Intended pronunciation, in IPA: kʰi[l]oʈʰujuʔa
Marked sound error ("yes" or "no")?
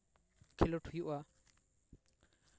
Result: no